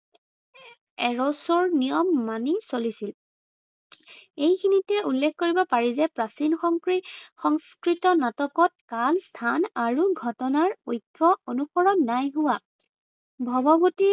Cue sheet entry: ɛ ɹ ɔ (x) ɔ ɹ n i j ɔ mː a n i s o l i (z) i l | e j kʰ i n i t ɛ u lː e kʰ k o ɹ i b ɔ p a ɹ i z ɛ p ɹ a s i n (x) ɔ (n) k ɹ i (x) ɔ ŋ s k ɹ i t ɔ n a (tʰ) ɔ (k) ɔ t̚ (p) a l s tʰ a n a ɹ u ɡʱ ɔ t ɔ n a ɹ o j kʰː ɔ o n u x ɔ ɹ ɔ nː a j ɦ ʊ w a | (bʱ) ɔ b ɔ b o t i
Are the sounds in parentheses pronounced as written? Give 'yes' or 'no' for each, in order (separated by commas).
no, no, yes, no, yes, no, yes, no, yes